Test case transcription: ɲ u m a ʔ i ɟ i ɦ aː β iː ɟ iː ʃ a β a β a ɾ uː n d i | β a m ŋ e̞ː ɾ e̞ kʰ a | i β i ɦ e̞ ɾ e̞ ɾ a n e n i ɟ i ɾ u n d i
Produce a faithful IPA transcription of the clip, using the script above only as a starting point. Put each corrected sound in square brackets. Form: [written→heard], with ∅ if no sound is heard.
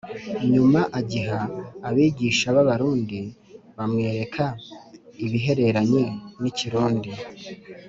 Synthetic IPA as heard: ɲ u m a ʔ [i→a] ɟ i ɦ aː β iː ɟ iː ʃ a β a β a ɾ uː n d i | β a m ŋ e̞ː ɾ e̞ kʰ a | i β i ɦ e̞ ɾ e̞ ɾ a [n→ɲ] e n i [ɟ→c] i ɾ [u→uː] n d i

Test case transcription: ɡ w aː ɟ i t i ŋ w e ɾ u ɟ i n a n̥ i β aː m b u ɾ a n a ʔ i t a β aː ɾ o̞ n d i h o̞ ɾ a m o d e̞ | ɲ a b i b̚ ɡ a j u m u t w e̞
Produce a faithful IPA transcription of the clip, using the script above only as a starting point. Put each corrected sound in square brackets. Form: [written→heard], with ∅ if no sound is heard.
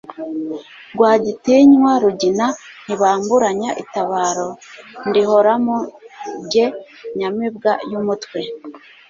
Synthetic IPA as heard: ɡ w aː ɟ i t i [ŋ→ɲ] w [e→a] ɾ u ɟ i n a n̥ i β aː m b u ɾ a [n→ɲ] a ʔ i t a β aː ɾ o̞ n d i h o̞ ɾ a m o [d→ɟ] e̞ | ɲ a [b→m] i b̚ ɡ a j u m u t w e̞

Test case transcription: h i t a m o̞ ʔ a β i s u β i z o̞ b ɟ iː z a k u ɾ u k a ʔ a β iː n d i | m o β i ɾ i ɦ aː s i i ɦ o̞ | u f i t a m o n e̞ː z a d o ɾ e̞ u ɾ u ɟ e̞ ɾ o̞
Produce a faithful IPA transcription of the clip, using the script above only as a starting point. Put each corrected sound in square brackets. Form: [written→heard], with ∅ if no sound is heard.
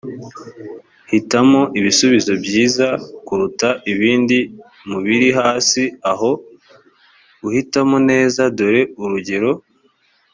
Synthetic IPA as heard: h i t a m o̞ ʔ [a→i] β i s u β i z o̞ b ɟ iː z a k u ɾ u [k→t] a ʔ [a→i] β iː n d i | m [o→u] β i ɾ i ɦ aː s i [i→a] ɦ o̞ | u [f→h] i t a m o n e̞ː z a d o ɾ e̞ u ɾ u ɟ e̞ ɾ o̞

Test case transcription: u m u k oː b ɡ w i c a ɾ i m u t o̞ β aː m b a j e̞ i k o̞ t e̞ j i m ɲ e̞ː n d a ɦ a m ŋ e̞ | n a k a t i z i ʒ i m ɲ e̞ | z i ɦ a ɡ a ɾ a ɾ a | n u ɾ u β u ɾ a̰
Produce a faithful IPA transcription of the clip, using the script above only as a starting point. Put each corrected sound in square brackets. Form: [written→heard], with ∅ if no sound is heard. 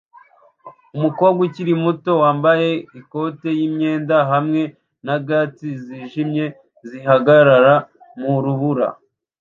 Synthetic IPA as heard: u m u k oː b ɡ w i c [a→i] ɾ i m u t o̞ [β→w] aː m b a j e̞ i k o̞ t e̞ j i m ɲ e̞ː n d a ɦ a m ŋ e̞ | n a [k→ɡ] a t i z i ʒ i m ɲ e̞ | z i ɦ a ɡ a ɾ a ɾ a | [n→m] u ɾ u β u ɾ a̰

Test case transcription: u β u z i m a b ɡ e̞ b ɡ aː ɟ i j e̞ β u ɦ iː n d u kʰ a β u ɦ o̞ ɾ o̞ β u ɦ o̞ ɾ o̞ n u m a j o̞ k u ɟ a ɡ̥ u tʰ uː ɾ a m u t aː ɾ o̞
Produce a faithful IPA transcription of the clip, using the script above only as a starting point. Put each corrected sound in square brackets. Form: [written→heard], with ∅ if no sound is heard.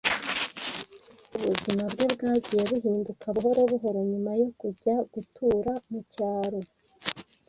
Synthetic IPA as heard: u β u z i m a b ɡ e̞ b ɡ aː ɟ i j e̞ β u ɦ iː n d u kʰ a β u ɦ o̞ ɾ o̞ β u ɦ o̞ ɾ o̞ [n→ɲ] u m a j o̞ k u ɟ a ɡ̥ u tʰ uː ɾ a m u [t→c] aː ɾ o̞

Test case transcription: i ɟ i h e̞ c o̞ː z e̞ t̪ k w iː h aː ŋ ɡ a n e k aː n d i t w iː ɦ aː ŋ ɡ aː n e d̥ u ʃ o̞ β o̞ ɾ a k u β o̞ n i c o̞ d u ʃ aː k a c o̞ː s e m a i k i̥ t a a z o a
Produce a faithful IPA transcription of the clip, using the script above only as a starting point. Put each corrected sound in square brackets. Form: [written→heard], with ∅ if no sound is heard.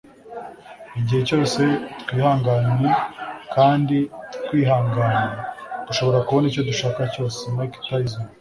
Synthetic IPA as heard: i ɟ i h e̞ c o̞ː [z→s] e̞ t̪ k w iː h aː ŋ ɡ a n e k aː n d i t w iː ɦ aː ŋ ɡ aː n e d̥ u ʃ o̞ β o̞ ɾ a k u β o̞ n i c o̞ d u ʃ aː k a c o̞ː s e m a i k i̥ t a [a→i] z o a

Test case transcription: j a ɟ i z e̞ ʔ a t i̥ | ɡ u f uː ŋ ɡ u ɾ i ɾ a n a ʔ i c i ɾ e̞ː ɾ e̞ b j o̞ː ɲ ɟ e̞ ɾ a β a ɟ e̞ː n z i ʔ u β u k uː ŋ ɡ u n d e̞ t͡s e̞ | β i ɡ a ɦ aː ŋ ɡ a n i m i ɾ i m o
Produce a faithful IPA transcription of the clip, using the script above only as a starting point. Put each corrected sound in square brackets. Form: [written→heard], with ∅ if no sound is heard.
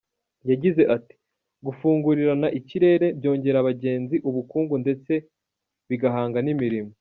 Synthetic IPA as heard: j a ɟ i z e̞ ʔ a t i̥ | ɡ u f uː ŋ ɡ u ɾ i ɾ a n a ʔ i c i ɾ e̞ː ɾ e̞ b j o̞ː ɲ ɟ e̞ ɾ a β a ɟ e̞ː n z i ʔ u β u k uː ŋ ɡ u n d e̞ t͡s e̞ | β i ɡ a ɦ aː ŋ ɡ a n i m i ɾ i m o

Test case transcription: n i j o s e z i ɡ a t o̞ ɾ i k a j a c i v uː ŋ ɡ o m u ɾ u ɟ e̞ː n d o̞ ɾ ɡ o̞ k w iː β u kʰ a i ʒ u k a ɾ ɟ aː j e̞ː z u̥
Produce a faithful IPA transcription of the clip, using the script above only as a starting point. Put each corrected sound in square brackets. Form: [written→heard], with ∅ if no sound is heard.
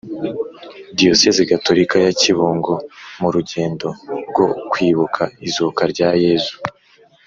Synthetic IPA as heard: [n→d] i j o s e z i ɡ a t o̞ ɾ i k a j a c i [v→β] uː ŋ ɡ o m u ɾ u ɟ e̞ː n d o̞ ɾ ɡ o̞ k w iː β u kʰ a i [ʒ→z] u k a ɾ ɟ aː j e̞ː z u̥

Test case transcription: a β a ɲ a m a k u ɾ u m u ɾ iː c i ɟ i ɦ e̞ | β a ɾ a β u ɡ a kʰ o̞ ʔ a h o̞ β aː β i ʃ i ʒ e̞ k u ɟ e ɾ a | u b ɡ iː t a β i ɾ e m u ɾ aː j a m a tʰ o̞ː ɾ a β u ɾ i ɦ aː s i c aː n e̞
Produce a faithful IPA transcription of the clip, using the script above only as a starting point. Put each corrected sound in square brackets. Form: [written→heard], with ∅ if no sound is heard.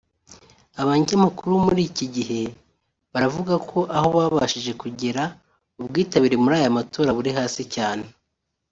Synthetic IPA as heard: a β a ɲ a m a k u ɾ u m u ɾ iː c i ɟ i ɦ e̞ | β a ɾ a [β→v] u ɡ a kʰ o̞ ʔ a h o̞ β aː β [i→a] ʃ i ʒ e̞ k u ɟ e ɾ a | u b ɡ iː t a β i ɾ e m u ɾ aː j a m a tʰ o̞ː ɾ a β u ɾ i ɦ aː s i c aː n e̞

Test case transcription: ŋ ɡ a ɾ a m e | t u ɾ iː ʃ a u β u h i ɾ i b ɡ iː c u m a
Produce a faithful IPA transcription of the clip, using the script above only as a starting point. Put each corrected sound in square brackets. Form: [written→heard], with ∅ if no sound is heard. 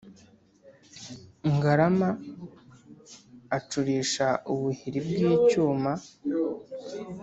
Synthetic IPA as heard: ŋ ɡ a ɾ a m [e→a] | [t→t͡ʃ] u ɾ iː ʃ a u β u h i ɾ i b ɡ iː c [u→uː] m a

